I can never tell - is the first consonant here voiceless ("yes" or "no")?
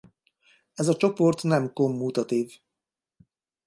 no